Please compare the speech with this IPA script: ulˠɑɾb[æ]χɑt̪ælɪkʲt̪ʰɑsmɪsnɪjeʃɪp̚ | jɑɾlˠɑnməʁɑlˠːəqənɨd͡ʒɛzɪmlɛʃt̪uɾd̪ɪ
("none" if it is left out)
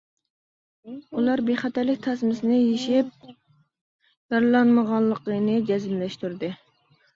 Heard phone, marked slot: e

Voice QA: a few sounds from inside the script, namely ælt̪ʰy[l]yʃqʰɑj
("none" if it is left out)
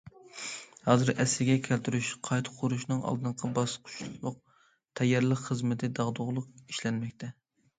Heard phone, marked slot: ɾ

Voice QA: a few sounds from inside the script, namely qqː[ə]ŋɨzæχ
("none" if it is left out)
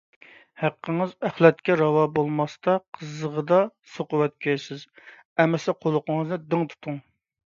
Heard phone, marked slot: ə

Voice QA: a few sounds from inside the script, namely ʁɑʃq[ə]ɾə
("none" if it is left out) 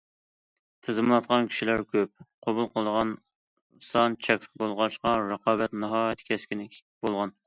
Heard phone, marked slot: ɑ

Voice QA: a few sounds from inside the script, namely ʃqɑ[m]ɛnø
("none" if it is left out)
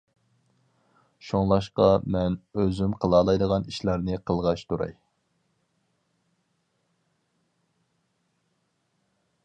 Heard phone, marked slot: m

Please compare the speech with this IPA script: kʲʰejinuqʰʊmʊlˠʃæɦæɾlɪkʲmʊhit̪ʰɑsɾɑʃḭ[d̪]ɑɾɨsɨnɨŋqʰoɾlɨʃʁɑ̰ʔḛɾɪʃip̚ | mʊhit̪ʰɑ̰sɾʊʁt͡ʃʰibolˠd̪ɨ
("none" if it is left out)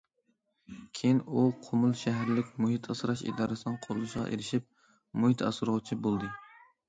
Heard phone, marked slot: d̪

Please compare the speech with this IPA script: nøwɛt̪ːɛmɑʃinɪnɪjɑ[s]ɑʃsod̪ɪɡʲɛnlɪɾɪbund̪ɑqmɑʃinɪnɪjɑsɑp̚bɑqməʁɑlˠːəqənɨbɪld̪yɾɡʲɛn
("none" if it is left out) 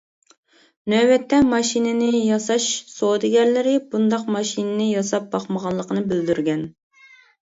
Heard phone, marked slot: s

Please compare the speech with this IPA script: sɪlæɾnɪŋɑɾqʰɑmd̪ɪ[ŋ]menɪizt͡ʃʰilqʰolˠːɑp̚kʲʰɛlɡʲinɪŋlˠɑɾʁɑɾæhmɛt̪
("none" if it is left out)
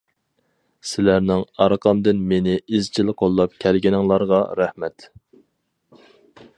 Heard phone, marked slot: n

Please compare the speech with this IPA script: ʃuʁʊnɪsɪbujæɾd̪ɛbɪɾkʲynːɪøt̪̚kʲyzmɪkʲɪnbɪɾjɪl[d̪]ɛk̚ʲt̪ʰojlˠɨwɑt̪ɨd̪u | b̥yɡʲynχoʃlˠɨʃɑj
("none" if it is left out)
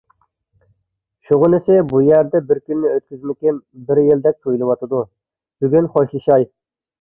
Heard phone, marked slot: d̪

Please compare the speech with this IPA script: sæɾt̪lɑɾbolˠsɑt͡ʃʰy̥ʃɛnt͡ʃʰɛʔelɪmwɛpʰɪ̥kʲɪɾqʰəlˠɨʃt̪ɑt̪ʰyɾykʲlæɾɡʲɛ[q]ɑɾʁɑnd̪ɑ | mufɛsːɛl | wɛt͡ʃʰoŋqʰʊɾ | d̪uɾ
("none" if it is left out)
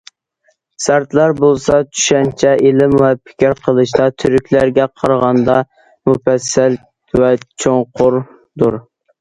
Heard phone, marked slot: qʰ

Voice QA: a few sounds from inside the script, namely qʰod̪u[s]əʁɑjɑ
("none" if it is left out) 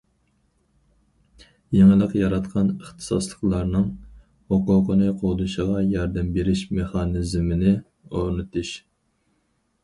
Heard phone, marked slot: ʃ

